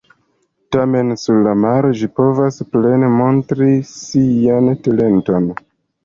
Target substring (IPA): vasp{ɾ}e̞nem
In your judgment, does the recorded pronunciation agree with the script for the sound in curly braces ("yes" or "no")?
no